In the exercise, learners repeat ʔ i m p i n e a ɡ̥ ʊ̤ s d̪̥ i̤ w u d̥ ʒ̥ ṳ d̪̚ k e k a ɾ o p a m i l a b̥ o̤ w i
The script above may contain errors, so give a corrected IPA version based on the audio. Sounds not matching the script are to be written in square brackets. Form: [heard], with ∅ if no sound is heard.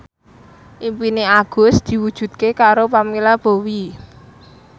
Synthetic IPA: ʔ i m p i n e a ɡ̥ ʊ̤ s d̪̥ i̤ w u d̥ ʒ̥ ṳ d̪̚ k e k a ɾ o p a m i l a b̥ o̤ w i